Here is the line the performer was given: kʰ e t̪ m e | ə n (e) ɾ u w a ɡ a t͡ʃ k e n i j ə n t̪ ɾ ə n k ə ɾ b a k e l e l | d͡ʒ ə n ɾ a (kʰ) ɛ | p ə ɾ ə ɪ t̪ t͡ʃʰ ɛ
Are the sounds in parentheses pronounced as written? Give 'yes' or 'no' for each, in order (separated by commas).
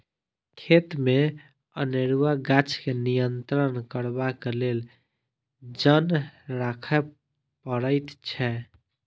yes, yes